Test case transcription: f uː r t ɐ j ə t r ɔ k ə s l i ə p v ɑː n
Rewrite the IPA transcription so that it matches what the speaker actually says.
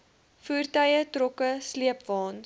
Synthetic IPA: f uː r t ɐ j ə t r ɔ k ə s l i ə p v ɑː n